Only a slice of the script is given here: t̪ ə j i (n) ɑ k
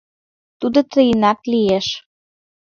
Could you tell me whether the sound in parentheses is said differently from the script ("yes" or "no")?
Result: no